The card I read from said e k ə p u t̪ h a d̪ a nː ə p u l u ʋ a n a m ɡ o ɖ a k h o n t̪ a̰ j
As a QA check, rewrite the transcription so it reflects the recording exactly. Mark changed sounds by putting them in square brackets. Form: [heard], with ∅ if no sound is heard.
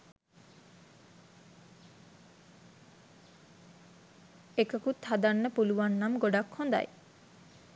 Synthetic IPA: e k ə [k] u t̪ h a d̪ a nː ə p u l u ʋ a [nː] a m ɡ o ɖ a k h o n [d̪] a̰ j